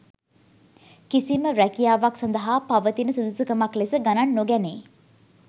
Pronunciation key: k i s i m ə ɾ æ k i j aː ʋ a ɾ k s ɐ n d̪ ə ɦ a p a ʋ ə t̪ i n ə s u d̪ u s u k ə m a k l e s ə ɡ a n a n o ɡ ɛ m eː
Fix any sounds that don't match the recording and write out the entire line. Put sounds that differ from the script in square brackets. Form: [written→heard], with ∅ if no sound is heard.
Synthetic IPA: k i s i m ə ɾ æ k i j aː ʋ a [ɾ→∅] k s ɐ n d̪ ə ɦ a p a ʋ ə t̪ i n ə s u d̪ u s u k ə m a k l e s ə ɡ a n a [n→nː] o ɡ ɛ [m→n] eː